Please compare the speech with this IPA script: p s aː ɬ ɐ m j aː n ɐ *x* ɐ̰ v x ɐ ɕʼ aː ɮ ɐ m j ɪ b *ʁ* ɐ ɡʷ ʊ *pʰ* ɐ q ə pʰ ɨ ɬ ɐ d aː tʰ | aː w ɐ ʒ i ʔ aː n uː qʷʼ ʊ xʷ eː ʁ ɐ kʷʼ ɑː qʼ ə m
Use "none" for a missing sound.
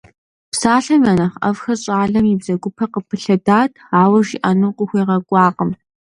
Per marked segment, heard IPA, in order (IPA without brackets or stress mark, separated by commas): χ, z, pʰ